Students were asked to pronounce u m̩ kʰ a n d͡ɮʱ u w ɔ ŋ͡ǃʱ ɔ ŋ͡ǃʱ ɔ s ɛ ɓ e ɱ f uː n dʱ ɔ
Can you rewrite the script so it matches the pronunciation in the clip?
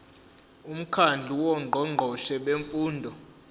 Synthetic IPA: u m̩ kʰ a n d͡ɮʱ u w ɔ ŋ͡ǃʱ ɔ ŋ͡ǃʱ ɔ ʃ ɛ ɓ e ɱ f uː n dʱ ɔ